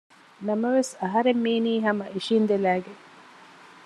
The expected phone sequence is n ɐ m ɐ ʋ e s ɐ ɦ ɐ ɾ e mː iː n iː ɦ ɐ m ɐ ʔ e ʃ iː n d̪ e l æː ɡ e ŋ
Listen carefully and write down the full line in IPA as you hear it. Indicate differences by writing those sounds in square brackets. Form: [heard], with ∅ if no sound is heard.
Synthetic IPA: n ɐ m ɐ ʋ e s ɐ ɦ ɐ ɾ e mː iː n iː ɦ ɐ m ɐ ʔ [i] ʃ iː n d̪ e l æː ɡ e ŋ